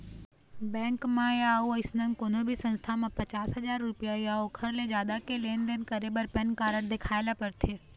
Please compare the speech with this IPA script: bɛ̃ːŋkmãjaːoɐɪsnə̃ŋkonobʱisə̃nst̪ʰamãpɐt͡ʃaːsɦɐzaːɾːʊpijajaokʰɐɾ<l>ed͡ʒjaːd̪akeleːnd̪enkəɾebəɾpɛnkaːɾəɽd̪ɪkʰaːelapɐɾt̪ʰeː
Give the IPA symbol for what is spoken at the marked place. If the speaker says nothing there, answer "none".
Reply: l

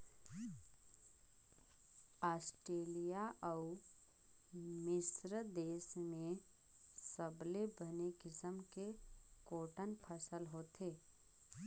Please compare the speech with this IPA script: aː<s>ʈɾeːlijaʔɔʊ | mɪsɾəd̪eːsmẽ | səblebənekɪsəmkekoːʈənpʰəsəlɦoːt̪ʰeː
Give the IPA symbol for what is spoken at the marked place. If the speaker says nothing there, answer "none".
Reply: s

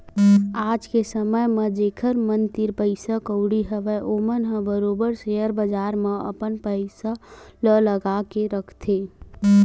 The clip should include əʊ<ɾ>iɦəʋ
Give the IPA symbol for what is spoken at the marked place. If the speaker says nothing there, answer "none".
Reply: ɽ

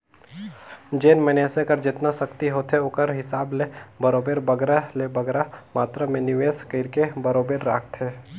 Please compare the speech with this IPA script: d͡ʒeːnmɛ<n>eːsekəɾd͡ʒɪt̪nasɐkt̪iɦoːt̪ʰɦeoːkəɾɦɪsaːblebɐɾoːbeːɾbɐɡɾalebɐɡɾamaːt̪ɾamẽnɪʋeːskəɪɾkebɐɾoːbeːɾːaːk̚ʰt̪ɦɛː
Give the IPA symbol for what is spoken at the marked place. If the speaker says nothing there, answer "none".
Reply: n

